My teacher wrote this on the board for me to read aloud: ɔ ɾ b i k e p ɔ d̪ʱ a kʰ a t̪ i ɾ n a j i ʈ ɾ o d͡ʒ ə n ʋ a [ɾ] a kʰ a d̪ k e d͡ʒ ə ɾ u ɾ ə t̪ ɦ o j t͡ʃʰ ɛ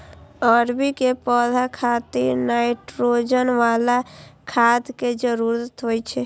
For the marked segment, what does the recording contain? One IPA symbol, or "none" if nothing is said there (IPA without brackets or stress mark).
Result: l